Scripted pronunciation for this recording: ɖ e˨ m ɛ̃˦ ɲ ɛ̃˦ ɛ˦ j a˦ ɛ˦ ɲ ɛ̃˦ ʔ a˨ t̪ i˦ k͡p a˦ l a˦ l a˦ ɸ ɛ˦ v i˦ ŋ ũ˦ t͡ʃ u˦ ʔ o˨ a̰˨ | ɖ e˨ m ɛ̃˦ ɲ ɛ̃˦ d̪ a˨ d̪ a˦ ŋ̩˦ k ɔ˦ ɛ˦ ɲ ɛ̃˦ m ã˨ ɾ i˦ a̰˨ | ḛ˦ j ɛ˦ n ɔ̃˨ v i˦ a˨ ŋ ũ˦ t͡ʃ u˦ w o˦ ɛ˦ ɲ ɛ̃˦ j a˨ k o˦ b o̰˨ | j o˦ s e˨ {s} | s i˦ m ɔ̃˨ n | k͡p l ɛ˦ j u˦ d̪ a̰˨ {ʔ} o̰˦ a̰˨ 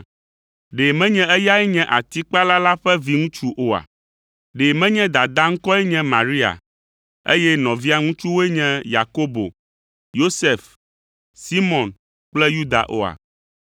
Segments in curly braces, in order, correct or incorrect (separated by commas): incorrect, correct